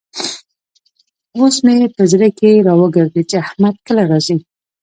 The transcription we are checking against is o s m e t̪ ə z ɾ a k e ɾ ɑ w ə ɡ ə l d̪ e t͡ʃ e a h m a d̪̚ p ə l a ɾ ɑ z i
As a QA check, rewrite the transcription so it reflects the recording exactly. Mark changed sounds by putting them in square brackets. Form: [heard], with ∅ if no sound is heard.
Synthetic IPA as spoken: o s m e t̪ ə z ɾ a k e ɾ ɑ w ə ɡ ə [ɾ] d̪ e t͡ʃ e a h m a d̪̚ [k] ə l a ɾ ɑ z i